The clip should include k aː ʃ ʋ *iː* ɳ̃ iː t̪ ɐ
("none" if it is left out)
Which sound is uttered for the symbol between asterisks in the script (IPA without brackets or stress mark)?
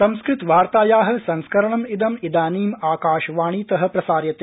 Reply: aː